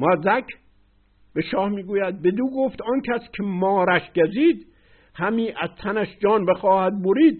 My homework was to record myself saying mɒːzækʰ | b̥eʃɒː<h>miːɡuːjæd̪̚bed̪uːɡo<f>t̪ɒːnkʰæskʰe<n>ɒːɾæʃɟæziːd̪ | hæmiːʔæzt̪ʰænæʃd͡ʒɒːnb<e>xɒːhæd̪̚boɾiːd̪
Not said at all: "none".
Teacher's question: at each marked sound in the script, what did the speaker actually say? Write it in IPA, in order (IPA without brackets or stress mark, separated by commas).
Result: h, f, m, e